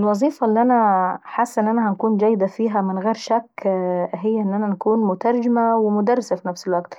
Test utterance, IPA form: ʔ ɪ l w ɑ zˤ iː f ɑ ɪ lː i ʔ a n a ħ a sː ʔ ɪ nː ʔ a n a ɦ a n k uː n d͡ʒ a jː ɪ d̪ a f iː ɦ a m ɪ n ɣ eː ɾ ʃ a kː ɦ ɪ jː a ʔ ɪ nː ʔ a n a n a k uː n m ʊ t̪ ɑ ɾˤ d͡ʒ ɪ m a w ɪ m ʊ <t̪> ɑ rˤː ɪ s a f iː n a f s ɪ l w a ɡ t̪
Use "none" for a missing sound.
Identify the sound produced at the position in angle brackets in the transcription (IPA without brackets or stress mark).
d̪